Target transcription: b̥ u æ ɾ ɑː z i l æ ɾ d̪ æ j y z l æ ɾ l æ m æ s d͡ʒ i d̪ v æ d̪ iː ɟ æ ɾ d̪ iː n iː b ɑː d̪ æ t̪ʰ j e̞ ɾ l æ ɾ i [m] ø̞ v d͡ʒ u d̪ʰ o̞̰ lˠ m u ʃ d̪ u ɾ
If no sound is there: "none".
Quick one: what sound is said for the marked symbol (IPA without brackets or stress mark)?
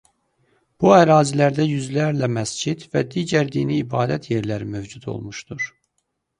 m